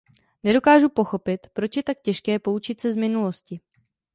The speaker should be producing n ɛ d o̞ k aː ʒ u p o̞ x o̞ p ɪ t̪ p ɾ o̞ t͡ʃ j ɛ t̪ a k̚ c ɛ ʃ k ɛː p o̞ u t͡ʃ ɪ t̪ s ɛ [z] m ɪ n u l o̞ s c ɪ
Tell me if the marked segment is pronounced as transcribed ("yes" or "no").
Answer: yes